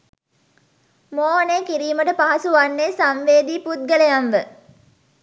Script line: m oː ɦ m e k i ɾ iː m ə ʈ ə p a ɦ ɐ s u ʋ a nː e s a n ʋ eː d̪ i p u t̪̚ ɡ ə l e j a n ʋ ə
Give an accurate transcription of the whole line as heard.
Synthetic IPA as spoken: m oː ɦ n e k i ɾ iː m ə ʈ ə p a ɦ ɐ s u ʋ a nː e s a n ʋ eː d̪ i p u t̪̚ ɡ ə l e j a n ʋ ə